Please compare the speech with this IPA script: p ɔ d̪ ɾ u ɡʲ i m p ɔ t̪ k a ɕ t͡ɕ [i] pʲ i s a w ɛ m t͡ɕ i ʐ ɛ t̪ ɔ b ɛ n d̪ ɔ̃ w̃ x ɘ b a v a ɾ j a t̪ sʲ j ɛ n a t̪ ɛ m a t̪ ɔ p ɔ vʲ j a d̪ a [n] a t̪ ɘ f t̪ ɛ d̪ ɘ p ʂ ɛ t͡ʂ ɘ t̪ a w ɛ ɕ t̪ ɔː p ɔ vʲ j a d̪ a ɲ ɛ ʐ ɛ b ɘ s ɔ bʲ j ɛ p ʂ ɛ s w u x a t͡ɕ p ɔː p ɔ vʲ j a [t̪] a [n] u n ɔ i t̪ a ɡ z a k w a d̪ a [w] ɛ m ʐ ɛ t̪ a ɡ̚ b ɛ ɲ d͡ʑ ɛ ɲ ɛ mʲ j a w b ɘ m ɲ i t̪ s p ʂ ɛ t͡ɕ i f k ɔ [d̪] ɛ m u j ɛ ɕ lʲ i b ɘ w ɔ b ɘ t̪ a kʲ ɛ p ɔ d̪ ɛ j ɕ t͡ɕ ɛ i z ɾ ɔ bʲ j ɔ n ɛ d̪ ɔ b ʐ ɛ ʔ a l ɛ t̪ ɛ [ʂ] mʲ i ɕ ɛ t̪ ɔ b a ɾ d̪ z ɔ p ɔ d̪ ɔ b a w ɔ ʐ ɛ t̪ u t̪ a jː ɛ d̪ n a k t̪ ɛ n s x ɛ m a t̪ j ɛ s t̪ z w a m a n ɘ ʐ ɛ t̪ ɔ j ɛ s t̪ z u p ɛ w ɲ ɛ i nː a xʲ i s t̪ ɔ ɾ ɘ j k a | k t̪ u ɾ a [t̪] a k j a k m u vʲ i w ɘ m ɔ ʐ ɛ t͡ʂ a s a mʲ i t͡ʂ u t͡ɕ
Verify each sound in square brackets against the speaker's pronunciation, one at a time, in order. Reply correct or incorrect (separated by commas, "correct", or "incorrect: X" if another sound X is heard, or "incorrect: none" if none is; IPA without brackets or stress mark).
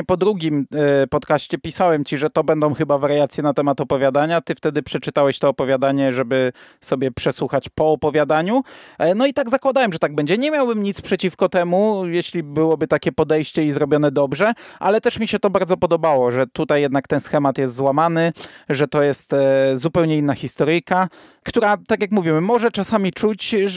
incorrect: ɛ, incorrect: ɲ, incorrect: d̪, incorrect: ɲ, correct, incorrect: t̪, correct, correct